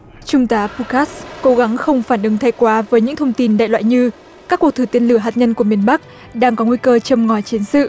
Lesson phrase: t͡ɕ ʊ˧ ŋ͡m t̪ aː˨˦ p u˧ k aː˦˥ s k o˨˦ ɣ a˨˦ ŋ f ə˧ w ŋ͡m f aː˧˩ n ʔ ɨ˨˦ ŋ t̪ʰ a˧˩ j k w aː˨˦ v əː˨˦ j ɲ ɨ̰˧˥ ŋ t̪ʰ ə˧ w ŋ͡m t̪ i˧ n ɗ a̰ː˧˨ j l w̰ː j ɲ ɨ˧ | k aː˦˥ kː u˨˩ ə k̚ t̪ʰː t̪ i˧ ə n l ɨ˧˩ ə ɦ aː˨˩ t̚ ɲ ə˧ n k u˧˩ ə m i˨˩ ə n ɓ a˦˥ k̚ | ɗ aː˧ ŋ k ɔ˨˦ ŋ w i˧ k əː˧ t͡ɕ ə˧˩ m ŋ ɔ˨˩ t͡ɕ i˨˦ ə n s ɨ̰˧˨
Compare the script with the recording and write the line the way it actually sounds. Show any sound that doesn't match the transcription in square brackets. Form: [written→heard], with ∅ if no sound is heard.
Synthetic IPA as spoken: t͡ɕ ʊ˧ ŋ͡m t̪ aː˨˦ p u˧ k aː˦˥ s k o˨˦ ɣ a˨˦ ŋ [f→x] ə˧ w ŋ͡m f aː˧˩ n ʔ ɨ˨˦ ŋ t̪ʰ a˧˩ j k w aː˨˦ v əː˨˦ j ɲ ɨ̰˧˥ ŋ t̪ʰ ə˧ w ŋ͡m t̪ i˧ n ɗ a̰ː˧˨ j l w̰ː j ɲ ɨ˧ | k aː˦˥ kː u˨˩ ə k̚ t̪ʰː t̪ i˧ ə n l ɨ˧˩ ə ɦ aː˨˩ t̚ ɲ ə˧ n k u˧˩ ə m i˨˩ ə n ɓ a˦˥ k̚ | ɗ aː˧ ŋ k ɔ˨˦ ŋ w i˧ k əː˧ t͡ɕ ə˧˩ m ŋ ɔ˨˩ t͡ɕ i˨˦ ə n s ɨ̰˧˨

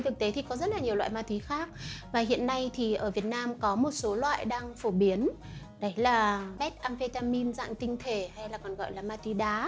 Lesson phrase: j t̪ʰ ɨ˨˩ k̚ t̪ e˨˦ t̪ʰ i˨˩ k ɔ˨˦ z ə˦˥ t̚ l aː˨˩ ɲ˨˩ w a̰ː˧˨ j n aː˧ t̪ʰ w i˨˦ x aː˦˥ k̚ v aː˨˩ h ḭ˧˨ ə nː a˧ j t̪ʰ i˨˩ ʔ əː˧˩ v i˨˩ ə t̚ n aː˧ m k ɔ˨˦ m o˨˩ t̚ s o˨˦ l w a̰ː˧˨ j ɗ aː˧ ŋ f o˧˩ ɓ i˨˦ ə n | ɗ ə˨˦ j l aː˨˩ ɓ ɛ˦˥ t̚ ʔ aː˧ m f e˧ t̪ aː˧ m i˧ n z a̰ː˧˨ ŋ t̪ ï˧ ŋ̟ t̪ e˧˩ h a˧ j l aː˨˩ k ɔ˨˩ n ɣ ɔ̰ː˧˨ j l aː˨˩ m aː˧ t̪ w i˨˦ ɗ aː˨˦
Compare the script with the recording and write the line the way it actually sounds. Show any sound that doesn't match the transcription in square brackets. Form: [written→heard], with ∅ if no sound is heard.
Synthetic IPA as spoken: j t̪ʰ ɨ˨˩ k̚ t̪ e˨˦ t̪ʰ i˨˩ k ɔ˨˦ z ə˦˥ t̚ l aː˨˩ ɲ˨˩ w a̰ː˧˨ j [n→m] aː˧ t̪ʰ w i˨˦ x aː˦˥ k̚ v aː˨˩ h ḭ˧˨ ə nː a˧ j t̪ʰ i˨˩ ʔ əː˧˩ v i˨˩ ə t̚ n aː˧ m k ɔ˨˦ m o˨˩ t̚ s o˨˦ l w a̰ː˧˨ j ɗ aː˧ ŋ f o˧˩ ɓ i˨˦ ə n | ɗ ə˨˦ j l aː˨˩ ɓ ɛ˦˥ t̚ ʔ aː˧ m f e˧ t̪ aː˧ m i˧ n z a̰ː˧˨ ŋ t̪ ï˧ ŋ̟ [t̪→t̪ʰ] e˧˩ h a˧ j l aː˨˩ k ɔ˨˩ n ɣ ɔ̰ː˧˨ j l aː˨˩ m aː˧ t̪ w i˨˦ ɗ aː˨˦

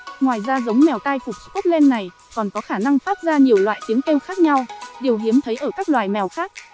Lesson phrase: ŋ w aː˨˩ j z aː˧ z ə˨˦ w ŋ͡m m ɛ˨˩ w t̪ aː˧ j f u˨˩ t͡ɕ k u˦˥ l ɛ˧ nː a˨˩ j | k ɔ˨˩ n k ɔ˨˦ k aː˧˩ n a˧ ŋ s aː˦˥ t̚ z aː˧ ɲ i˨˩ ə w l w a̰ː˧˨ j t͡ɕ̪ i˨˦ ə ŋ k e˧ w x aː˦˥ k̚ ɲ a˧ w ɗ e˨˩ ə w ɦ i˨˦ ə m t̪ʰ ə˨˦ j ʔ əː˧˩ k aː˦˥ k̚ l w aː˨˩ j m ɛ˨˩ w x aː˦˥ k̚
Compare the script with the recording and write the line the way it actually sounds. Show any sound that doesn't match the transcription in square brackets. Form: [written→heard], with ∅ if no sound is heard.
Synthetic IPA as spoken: ŋ w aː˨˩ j z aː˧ z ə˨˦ w ŋ͡m m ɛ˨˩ w t̪ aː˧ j f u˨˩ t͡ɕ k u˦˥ l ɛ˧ nː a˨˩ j | k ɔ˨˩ n k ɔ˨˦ [k→x] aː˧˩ n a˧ ŋ [s→f] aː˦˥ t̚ z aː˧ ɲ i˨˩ ə w l w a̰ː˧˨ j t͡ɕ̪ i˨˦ ə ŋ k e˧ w x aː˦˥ k̚ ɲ a˧ w ɗ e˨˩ ə w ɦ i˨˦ ə m t̪ʰ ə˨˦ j ʔ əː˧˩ k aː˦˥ k̚ l w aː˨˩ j m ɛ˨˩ w x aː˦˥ k̚

